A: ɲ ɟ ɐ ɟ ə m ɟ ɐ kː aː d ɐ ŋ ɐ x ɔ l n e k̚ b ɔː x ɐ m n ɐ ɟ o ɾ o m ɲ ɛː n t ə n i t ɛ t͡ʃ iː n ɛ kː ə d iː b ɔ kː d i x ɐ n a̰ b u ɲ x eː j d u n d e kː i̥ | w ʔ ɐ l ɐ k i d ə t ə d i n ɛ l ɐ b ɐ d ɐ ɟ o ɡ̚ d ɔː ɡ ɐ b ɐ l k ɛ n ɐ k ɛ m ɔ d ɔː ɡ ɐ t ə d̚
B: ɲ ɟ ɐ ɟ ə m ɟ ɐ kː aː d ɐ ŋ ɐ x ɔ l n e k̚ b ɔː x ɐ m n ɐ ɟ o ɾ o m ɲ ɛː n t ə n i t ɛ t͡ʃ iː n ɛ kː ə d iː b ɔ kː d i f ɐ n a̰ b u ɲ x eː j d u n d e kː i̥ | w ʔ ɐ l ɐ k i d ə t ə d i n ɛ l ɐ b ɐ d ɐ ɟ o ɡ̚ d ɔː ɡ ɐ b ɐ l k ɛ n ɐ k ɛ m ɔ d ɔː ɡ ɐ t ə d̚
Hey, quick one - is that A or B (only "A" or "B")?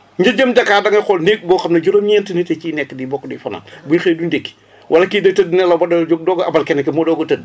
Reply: B